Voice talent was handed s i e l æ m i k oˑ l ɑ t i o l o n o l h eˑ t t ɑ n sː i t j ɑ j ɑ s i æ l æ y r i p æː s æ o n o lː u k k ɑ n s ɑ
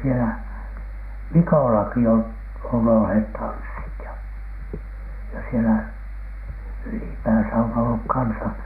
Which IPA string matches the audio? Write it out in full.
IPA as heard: s i e l æ m i k oˑ l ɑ k i o l o n o l h eˑ t t ɑ n sː i t j ɑ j ɑ s i e l æ y l i p æː s æ o n o lː u k k ɑ n s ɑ